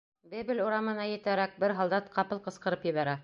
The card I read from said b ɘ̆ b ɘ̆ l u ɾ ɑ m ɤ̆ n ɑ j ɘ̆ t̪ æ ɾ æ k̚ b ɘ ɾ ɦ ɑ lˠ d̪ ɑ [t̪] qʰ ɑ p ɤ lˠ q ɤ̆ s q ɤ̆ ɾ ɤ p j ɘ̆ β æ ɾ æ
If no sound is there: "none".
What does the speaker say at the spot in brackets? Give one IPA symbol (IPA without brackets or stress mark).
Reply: t̪